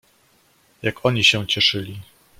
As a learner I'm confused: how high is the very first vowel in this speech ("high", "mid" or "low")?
low